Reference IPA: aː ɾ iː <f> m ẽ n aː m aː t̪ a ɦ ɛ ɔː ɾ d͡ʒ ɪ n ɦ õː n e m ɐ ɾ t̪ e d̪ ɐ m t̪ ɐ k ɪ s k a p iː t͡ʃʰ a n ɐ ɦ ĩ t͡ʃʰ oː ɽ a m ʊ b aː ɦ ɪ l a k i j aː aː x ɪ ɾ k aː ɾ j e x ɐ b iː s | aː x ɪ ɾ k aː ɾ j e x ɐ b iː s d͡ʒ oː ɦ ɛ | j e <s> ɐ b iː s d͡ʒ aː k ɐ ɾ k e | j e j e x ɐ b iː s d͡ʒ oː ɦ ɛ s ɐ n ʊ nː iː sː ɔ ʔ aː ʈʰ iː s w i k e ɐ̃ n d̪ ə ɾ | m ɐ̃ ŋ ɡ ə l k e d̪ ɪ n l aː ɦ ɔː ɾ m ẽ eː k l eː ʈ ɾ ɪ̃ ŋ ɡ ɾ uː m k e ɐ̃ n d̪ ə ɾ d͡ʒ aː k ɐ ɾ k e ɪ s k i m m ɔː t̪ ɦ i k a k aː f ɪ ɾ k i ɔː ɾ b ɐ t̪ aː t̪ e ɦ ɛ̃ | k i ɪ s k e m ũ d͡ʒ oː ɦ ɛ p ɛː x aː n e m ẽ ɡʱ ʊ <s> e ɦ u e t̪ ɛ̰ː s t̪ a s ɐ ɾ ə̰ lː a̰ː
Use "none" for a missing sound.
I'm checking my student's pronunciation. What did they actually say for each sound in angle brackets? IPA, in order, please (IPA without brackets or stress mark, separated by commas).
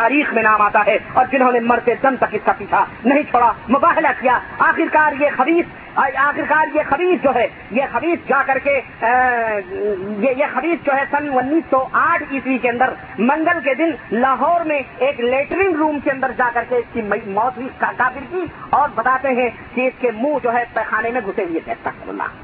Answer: x, x, s